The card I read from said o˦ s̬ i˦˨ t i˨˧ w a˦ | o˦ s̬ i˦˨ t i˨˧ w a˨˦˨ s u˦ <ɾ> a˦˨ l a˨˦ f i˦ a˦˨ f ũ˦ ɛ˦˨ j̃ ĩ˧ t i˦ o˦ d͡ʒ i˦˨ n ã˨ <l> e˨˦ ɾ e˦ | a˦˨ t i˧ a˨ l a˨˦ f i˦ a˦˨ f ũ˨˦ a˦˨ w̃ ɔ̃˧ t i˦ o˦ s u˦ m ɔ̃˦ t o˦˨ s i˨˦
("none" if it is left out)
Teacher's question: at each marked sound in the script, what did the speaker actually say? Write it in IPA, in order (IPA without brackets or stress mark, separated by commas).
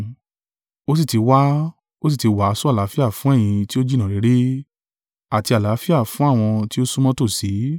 none, ɾ